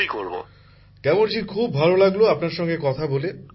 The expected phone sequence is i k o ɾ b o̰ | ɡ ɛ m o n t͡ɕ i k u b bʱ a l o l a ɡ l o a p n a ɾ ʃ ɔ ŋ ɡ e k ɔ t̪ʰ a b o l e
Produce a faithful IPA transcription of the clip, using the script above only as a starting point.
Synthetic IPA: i k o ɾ b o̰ | k ɛ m o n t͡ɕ i kʰ u b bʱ a l o l a ɡ l o a p n a ɾ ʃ ɔ ŋ ɡ e k ɔ t̪ʰ a b o l e